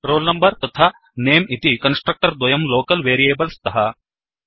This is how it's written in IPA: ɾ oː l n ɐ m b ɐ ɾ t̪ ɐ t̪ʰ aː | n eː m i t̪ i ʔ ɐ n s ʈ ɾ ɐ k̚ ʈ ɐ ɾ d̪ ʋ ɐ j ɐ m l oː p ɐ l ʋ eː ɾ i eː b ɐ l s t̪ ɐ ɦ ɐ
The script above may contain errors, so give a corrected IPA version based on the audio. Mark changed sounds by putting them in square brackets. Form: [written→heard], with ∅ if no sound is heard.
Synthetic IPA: ɾ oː l n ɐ m b ɐ ɾ t̪ ɐ t̪ʰ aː | n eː m i t̪ i [ʔ→k] ɐ n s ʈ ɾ ɐ k̚ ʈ ɐ ɾ d̪ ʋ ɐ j ɐ m l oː [p→k] ɐ l ʋ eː ɾ i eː b ɐ l s t̪ ɐ ɦ ɐ

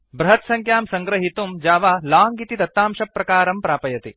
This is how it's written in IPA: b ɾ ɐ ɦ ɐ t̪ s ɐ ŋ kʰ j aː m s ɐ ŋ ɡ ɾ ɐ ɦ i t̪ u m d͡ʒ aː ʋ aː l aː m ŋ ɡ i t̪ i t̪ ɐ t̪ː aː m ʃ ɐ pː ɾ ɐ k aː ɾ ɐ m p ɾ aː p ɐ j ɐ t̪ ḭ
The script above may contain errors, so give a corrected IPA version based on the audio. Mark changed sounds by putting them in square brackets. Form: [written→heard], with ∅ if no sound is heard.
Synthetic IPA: b ɾ ɐ ɦ ɐ t̪ s ɐ ŋ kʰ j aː m s ɐ ŋ ɡ ɾ ɐ ɦ i t̪ u m d͡ʒ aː ʋ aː l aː [m→∅] ŋ ɡ i t̪ i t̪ ɐ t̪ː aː m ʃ ɐ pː ɾ ɐ k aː ɾ ɐ m p ɾ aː p ɐ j ɐ t̪ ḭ

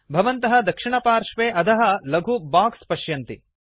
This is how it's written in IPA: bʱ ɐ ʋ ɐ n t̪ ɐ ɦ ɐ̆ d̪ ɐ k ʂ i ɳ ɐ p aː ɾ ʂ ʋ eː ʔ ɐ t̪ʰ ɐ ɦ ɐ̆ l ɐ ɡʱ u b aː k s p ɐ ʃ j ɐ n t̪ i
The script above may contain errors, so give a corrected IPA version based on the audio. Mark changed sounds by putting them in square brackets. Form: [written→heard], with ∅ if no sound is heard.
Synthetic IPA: bʱ ɐ ʋ ɐ n t̪ ɐ ɦ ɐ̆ d̪ ɐ k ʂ i ɳ ɐ p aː ɾ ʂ ʋ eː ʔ ɐ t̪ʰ ɐ ɦ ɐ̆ l ɐ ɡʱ u b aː k s p ɐ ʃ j ɐ n t̪ i

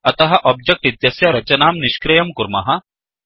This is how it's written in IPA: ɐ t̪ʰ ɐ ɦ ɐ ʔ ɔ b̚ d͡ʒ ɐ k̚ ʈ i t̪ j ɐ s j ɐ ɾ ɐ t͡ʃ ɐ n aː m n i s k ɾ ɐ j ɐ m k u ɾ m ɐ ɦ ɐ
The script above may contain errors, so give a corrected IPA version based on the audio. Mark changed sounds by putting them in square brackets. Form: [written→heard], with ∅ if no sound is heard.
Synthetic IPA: ɐ [t̪ʰ→t̪] ɐ ɦ ɐ ʔ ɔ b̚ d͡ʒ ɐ k̚ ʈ i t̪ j ɐ s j ɐ ɾ ɐ t͡ʃ ɐ n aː m n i [s→ʃ] k ɾ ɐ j ɐ m k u ɾ m ɐ ɦ ɐ

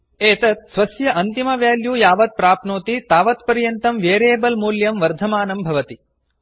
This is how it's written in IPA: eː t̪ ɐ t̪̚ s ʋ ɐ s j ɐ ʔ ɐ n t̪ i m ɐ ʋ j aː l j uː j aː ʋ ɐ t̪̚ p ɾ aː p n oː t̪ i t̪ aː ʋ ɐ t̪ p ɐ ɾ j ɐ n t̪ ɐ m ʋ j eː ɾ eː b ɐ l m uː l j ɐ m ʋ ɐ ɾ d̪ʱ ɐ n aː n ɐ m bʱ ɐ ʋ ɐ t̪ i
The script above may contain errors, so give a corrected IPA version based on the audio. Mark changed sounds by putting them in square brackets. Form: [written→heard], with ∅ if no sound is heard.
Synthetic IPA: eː t̪ ɐ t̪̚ s ʋ ɐ s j ɐ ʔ ɐ n t̪ i m ɐ ʋ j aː l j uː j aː ʋ ɐ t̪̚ p ɾ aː p n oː t̪ i t̪ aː ʋ ɐ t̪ p ɐ ɾ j ɐ n t̪ ɐ m ʋ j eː ɾ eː b ɐ l m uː l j ɐ m ʋ ɐ ɾ d̪ʱ ɐ [n→m] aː n ɐ m bʱ ɐ ʋ ɐ t̪ i

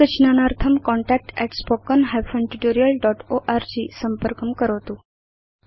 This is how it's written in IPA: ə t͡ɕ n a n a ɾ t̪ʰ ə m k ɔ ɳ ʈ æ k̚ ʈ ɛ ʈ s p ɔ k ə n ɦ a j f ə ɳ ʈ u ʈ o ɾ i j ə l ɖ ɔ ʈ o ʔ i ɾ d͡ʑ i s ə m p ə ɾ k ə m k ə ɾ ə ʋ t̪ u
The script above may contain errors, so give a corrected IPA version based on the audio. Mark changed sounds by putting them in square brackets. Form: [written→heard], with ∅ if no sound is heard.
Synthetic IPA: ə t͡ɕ n a n a ɾ t̪ʰ ə m k ɔ ɳ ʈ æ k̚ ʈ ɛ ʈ s p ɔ k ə n ɦ a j f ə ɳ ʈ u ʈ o ɾ i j ə l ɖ ɔ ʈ o ʔ [i→a] ɾ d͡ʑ i s ə m p ə ɾ k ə m k ə ɾ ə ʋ t̪ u

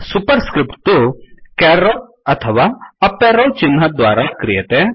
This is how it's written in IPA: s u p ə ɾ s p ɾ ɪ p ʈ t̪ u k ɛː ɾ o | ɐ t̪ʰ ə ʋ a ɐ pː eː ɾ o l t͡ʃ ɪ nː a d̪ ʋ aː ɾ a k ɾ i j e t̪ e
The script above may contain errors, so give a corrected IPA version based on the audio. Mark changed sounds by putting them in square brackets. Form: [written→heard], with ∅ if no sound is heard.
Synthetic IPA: s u p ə ɾ s [p→k] ɾ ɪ p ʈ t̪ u k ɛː ɾ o | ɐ t̪ʰ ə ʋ a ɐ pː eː ɾ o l t͡ʃ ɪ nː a d̪ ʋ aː ɾ a k ɾ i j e t̪ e

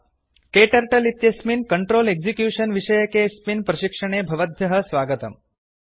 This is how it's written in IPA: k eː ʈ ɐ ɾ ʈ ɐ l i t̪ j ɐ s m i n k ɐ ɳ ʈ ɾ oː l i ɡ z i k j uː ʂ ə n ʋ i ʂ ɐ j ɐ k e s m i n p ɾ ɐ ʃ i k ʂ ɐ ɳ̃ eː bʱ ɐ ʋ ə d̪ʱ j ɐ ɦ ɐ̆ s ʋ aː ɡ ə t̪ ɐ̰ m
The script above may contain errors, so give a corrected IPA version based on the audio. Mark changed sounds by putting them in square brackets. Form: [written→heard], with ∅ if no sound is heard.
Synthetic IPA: k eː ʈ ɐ ɾ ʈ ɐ l i t̪ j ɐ s m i n k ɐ ɳ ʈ ɾ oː l [i→e] ɡ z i k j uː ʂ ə n ʋ i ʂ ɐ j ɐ k e s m i n p ɾ ɐ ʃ i k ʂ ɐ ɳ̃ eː bʱ ɐ ʋ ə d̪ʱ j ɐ ɦ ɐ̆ s ʋ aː ɡ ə t̪ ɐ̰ m

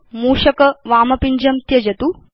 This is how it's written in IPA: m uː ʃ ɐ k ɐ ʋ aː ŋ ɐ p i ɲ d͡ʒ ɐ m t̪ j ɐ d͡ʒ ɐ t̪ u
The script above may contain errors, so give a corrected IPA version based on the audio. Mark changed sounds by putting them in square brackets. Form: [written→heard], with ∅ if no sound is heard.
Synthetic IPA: m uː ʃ ɐ k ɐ ʋ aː [ŋ→m] ɐ p i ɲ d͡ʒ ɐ m t̪ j ɐ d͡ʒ ɐ t̪ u

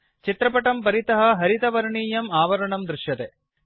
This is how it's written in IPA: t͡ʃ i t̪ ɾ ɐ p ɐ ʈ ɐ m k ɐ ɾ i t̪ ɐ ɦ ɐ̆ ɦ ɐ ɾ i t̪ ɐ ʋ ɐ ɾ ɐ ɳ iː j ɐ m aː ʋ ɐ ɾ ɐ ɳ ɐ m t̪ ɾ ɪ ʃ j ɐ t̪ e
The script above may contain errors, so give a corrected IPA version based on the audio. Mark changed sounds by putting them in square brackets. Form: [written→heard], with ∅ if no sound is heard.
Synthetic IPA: t͡ʃ i t̪ ɾ ɐ p ɐ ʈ ɐ m [k→p] ɐ ɾ i t̪ ɐ ɦ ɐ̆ ɦ ɐ ɾ i t̪ ɐ ʋ ɐ ɾ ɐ ɳ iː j ɐ m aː ʋ ɐ ɾ ɐ ɳ ɐ m [t̪→d̪] ɾ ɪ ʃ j ɐ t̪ e

